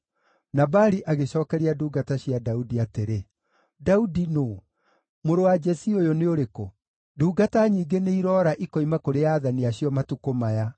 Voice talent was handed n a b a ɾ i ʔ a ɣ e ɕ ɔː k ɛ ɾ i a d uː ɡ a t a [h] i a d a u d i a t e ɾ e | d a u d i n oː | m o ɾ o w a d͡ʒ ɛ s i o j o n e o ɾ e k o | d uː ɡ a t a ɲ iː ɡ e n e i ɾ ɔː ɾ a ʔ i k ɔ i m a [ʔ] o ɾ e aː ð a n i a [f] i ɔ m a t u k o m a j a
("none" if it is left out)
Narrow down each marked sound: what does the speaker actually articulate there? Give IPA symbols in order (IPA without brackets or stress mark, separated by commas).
ɕ, k, ɕ